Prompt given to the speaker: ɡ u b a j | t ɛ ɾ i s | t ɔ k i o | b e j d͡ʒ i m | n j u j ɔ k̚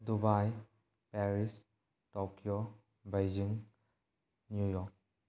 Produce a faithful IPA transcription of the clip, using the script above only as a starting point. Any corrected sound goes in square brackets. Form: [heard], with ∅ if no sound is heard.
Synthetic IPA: [d] u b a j | [p] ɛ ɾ i s | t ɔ k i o | b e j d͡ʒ i [ŋ] | n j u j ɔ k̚